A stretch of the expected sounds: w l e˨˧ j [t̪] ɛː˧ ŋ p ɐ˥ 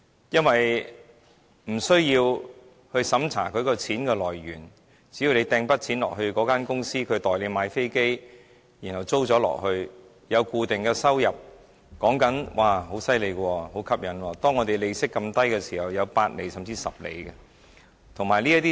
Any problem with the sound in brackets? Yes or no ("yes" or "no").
no